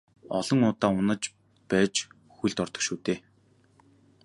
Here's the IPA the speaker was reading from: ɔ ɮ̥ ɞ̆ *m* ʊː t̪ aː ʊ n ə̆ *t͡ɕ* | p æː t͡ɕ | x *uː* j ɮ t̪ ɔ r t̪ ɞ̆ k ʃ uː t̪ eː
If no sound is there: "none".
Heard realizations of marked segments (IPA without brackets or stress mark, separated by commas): ŋ, t͡ɕ, u